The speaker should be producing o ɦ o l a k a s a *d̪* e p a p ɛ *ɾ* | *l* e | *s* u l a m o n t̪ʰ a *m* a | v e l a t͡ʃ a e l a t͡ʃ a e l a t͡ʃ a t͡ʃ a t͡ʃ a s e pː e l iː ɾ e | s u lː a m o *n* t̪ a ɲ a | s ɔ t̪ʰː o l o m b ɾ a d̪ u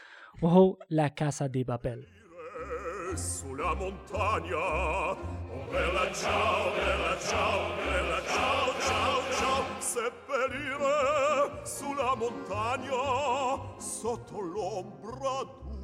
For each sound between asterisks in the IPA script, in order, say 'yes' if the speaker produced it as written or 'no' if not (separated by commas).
yes, no, no, yes, no, yes